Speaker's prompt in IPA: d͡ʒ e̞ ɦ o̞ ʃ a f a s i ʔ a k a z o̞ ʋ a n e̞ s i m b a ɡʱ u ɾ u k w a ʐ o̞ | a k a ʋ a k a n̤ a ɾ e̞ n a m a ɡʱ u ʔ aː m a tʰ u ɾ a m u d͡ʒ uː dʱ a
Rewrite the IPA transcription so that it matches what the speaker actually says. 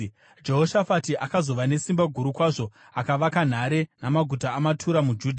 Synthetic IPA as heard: d͡ʒ e̞ ɦ o̞ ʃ a f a t i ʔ a k a z o̞ ʋ a n e̞ s i m b a ɡʱ u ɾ u k w a ʐ o̞ | a k a ʋ a k a n̤ a ɾ e̞ n a m a ɡʱ u t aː m a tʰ u ɾ a m u d͡ʒ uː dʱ a

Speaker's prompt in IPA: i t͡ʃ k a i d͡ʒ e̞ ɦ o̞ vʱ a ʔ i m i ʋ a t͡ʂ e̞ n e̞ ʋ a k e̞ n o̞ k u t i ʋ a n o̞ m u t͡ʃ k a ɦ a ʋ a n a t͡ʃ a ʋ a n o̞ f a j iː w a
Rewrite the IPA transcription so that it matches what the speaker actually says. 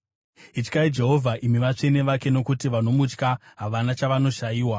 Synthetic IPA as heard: i t͡ʃ k a i d͡ʒ e̞ ɦ o̞ vʱ a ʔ i m i ʋ a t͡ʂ e̞ n e̞ ʋ a k e̞ n o̞ k u t i ʋ a n o̞ m u t͡ʃ k a ɦ a ʋ a n a t͡ʃ a ʋ a n o̞ ʃ a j iː w a

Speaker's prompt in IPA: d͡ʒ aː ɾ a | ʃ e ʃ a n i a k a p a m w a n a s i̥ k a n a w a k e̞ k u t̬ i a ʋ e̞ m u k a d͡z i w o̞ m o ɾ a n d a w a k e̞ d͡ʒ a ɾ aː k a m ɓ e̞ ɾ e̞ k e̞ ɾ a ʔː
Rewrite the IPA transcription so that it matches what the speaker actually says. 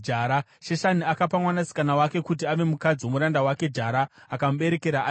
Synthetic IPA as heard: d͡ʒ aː ɾ a | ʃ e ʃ a n i a k a p a m w a n a s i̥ k a n a w a k e̞ k u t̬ i a ʋ e̞ m u k a d͡z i w o̞ m u ɾ a n d a w a k e̞ d͡ʒ a ɾ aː k a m ɓ e̞ ɾ e̞ k e̞ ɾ a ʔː

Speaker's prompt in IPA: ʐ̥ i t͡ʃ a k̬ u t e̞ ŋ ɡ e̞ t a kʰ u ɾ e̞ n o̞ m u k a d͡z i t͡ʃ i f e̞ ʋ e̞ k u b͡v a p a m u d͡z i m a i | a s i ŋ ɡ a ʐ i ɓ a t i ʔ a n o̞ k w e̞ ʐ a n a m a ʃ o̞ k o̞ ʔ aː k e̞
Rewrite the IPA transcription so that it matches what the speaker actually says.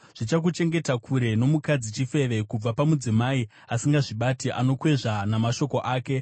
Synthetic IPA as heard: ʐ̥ i t͡ʃ a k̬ u t͡ʃ e̞ ŋ ɡ e̞ t a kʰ u ɾ e̞ n o̞ m u k a d͡z i t͡ʃ i f e̞ ʋ e̞ k u b͡v a p a m u d͡z i m a i | a s i ŋ ɡ a ʐ i ɓ a t i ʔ a n o̞ k w e̞ ʐ a n a m a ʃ o̞ k o̞ ʔ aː k e̞

